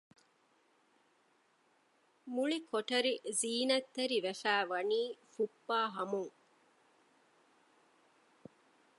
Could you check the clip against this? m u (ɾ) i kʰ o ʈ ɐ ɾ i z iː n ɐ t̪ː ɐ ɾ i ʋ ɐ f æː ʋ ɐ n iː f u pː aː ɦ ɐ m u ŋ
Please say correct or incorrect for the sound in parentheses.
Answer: incorrect: ɭ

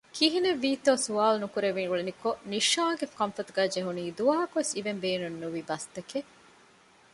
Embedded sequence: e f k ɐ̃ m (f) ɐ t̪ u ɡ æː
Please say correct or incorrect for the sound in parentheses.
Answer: correct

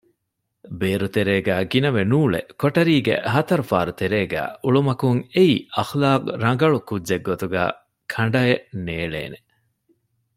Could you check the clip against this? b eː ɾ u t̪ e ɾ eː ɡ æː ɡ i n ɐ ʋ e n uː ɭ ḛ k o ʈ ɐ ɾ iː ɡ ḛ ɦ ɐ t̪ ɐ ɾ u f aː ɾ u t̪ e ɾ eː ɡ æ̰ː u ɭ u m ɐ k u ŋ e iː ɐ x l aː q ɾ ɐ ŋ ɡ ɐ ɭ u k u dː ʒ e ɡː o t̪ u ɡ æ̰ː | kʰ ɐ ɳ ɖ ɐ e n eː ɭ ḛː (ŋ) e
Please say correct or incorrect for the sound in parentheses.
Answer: incorrect: n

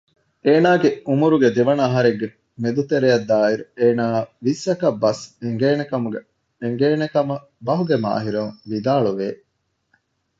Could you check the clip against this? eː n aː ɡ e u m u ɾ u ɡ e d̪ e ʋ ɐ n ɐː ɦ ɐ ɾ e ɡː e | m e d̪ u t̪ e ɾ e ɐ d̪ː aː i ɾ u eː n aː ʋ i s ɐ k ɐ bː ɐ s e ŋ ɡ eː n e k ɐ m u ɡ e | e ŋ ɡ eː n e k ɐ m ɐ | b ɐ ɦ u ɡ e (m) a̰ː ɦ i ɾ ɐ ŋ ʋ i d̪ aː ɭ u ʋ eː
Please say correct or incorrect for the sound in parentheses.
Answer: correct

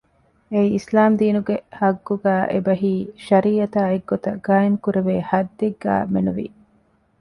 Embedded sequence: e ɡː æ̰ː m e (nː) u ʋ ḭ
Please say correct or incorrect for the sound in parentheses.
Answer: incorrect: n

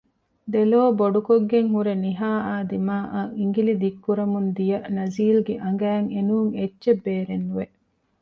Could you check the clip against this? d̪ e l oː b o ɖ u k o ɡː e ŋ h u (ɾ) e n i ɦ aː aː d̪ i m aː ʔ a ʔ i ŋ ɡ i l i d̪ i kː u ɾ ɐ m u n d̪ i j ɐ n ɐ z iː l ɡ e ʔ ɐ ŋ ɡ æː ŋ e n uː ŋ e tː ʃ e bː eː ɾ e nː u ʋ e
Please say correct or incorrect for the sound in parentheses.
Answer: correct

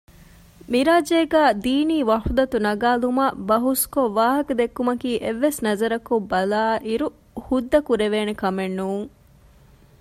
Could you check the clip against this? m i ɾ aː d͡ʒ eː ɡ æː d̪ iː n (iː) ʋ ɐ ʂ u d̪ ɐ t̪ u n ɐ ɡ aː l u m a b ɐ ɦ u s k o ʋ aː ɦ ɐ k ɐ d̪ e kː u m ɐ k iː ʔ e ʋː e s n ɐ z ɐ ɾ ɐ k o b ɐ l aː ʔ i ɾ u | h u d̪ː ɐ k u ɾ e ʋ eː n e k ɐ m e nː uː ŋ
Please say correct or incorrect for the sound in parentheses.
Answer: correct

